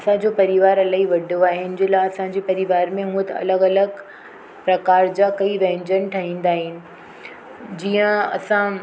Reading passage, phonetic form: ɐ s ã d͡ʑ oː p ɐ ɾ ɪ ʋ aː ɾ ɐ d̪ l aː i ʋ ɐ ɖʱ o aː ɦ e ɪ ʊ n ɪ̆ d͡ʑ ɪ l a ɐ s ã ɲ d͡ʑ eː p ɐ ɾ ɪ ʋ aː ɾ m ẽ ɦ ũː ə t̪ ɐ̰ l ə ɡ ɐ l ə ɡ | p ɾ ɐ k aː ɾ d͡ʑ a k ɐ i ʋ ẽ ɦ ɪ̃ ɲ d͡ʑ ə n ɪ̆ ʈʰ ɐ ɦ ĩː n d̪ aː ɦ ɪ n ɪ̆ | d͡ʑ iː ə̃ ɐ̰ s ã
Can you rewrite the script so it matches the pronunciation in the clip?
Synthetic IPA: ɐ s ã d͡ʑ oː p ɐ ɾ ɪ ʋ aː ɾ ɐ l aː i ʋ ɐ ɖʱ o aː ɦ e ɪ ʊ n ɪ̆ d͡ʑ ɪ l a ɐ s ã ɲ d͡ʑ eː p ɐ ɾ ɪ ʋ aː ɾ m ẽ ɦ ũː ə t̪ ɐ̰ l ə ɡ ɐ l ə ɡ | p ɾ ɐ k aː ɾ d͡ʑ a k ɐ i ʋ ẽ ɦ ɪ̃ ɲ d͡ʑ ə n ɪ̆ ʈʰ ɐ ɦ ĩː n d̪ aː ɦ ɪ n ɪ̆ | d͡ʑ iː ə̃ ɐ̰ s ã